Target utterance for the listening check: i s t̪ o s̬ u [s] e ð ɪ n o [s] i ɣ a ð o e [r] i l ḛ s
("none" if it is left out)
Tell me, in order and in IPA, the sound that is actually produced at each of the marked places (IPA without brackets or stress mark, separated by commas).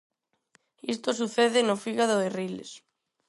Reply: θ, f, r